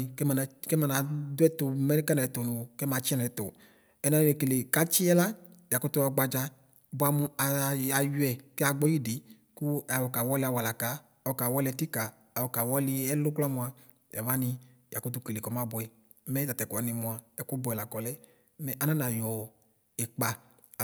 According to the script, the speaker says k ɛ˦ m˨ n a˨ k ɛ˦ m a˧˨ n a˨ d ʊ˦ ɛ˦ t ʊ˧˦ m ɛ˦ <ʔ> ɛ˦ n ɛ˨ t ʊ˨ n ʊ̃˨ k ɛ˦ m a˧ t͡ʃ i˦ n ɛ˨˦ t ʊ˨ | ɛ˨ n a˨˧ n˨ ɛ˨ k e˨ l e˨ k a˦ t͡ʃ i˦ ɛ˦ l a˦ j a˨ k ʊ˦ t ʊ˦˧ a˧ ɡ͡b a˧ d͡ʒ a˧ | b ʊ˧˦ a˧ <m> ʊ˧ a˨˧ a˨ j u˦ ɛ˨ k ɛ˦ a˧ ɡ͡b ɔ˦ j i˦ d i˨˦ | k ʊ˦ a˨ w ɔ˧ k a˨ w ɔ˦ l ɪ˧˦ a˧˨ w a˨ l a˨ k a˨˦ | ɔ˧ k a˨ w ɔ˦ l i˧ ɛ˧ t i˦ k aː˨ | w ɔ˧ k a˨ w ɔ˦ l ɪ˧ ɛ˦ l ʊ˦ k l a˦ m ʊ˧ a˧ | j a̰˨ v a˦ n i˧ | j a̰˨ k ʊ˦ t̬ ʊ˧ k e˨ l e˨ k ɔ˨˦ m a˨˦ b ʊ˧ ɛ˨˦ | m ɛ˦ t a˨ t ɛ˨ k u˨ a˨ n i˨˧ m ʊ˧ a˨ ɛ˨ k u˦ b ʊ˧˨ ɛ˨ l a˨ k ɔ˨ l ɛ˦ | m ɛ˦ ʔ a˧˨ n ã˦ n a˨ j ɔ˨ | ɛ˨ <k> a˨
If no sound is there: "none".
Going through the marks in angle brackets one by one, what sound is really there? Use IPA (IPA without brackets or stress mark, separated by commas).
k, m, k͡p